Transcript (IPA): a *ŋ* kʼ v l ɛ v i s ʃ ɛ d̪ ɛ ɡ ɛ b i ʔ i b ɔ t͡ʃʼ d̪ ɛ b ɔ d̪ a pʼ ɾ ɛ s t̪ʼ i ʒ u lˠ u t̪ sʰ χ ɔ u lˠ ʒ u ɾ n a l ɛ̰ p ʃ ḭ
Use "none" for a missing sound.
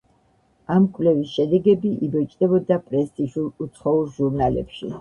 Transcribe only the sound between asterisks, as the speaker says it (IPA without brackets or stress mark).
m